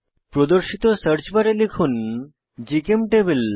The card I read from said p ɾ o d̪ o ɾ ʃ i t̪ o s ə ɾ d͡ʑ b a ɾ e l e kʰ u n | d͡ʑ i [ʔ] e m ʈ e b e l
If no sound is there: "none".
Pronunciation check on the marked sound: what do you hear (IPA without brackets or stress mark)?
k